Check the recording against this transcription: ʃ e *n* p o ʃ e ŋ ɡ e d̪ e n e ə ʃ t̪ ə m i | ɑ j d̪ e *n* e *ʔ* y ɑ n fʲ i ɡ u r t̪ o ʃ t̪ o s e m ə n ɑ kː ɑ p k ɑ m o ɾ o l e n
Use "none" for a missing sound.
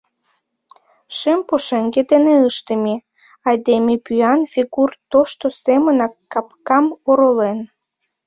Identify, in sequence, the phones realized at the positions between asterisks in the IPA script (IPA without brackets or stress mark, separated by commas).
m, m, p